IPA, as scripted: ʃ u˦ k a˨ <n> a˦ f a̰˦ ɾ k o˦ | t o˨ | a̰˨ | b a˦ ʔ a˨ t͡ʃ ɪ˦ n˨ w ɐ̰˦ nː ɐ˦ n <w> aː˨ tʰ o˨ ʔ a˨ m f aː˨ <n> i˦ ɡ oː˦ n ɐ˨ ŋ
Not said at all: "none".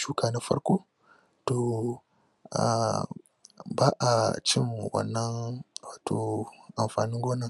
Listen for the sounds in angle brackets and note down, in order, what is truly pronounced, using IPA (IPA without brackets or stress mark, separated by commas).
n, w, n